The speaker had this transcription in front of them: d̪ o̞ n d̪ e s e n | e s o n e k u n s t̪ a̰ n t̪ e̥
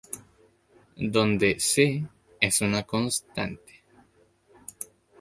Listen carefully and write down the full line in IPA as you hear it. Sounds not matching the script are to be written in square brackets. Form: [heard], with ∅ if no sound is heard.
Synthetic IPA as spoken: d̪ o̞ n d̪ e s e [∅] | e s [u] n [a] k [o] n s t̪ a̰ n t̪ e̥